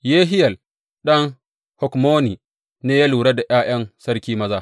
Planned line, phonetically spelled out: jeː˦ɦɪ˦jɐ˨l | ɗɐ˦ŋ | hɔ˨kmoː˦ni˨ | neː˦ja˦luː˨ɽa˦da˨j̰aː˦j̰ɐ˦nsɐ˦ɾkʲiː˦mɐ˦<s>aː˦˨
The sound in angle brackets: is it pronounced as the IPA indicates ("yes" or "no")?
no